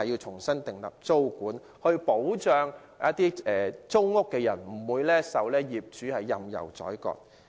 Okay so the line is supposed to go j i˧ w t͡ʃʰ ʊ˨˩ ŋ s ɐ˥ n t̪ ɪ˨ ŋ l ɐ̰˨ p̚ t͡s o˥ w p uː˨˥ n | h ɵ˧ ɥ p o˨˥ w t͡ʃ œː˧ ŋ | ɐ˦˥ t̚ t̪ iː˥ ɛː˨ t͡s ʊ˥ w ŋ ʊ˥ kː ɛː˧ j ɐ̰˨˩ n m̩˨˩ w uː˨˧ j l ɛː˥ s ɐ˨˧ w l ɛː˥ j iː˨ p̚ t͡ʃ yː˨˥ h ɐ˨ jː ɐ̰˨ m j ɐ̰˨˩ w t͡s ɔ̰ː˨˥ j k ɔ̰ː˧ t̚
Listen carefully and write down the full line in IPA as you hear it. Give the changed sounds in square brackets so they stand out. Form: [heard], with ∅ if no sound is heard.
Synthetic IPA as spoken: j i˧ w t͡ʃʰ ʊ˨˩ ŋ s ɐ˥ n t̪ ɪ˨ ŋ l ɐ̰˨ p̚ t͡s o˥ w [k] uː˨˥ n | h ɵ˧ ɥ p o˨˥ w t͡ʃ œː˧ ŋ | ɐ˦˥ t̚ t̪ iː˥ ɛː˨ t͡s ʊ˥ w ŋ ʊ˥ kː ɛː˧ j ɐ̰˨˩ n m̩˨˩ w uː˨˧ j l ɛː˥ s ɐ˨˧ w l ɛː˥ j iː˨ p̚ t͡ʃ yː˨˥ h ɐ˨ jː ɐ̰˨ m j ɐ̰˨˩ w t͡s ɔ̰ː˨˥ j k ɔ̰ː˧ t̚